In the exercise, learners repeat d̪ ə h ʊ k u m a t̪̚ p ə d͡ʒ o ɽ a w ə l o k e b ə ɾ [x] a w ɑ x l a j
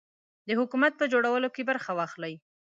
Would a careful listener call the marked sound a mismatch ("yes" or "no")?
no